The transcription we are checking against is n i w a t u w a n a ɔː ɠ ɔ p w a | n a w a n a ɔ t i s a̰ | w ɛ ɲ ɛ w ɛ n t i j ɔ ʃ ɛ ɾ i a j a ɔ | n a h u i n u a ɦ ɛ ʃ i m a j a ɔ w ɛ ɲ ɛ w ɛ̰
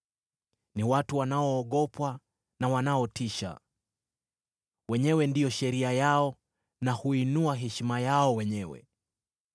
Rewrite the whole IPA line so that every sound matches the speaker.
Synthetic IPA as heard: n i w a t u w a n a ɔː ɠ ɔ p w a | n a w a n a ɔ t i ʃ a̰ | w ɛ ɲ ɛ w ɛ n d i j ɔ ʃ ɛ ɾ i a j a ɔ | n a h u i n u a ɦ ɛ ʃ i m a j a ɔ w ɛ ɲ ɛ w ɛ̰